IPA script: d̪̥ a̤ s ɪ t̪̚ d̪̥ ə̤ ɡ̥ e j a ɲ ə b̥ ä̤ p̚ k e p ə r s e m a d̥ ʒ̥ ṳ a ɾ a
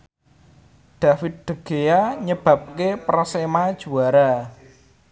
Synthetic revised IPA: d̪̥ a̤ f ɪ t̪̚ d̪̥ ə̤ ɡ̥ e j a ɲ ə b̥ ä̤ p̚ k e p ə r s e m a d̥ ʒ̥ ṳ a ɾ a